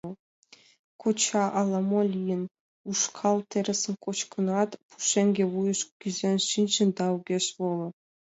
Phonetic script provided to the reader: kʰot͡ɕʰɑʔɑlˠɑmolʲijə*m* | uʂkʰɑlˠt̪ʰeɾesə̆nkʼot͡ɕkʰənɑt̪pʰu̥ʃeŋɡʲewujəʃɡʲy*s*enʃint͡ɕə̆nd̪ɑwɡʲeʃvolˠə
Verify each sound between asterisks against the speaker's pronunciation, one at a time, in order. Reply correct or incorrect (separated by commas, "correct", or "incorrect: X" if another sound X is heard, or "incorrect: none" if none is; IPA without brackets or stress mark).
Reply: incorrect: n, incorrect: z